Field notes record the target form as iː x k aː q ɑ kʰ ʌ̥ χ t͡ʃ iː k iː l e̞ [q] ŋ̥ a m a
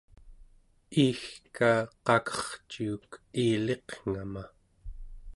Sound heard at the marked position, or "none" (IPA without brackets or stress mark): q